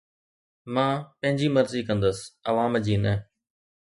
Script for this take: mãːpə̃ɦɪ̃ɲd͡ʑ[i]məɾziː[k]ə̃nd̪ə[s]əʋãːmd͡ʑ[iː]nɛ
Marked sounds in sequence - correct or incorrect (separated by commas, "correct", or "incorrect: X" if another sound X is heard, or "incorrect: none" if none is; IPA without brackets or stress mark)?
incorrect: iː, correct, correct, correct